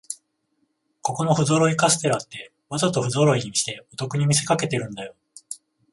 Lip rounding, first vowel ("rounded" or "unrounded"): rounded